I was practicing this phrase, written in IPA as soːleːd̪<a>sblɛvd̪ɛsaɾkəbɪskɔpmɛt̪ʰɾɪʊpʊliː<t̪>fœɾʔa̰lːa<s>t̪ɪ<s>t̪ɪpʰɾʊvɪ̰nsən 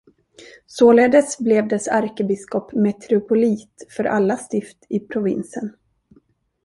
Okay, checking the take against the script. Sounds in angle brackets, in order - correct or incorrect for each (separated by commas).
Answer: incorrect, correct, correct, incorrect